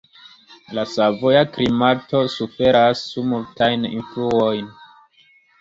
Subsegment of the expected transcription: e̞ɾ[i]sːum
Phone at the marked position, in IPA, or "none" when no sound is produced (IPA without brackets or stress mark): a